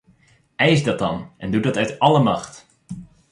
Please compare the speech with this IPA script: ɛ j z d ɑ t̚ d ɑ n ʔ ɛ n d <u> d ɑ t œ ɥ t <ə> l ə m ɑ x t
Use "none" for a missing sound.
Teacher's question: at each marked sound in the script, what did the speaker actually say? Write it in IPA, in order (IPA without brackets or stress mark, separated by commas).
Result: u, ɑ